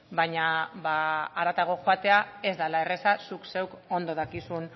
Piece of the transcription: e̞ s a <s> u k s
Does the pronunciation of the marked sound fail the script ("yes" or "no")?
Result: no